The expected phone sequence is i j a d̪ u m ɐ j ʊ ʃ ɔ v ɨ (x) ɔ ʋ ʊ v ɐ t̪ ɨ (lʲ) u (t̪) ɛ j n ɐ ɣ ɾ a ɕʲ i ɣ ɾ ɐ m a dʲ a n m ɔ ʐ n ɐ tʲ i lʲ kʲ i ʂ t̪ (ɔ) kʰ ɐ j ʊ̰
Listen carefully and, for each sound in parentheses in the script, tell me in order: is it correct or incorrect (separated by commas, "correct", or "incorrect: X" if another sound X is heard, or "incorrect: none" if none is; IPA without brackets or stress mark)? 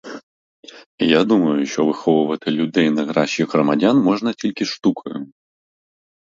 correct, correct, incorrect: d̪, incorrect: u